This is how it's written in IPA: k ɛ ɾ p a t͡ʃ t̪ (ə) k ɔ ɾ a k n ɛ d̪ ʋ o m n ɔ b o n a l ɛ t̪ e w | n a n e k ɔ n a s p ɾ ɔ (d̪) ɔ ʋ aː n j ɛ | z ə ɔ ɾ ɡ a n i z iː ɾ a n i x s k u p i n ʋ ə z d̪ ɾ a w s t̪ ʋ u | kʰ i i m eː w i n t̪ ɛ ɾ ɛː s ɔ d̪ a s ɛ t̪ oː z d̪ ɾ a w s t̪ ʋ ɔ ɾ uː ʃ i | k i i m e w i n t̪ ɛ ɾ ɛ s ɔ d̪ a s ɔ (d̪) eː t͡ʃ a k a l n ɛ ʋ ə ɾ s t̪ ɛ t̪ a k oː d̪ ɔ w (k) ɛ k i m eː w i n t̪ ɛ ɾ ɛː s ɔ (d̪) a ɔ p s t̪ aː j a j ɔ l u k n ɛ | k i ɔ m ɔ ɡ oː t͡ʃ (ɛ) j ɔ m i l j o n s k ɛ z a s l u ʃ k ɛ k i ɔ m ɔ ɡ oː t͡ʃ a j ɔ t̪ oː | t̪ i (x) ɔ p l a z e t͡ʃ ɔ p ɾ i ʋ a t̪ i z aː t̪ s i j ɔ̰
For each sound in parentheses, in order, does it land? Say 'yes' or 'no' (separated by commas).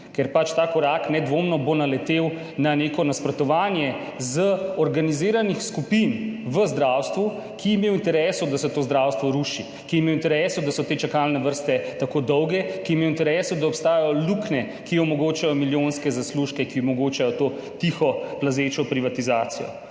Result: no, no, no, no, yes, no, yes